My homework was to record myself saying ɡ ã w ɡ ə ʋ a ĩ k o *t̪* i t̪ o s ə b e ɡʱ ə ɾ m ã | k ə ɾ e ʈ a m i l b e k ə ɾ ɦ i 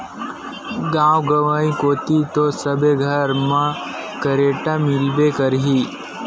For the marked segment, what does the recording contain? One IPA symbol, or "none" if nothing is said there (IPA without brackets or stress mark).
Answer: t̪